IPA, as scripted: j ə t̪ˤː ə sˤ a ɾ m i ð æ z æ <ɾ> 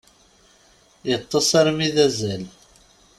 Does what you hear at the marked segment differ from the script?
yes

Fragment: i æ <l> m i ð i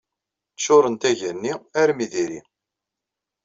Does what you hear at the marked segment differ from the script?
yes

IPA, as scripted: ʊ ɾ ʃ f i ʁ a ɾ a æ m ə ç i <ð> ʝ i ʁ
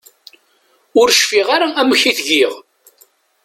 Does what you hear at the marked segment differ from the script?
yes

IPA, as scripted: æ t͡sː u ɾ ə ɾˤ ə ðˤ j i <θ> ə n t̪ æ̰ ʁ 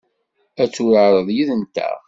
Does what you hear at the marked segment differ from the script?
yes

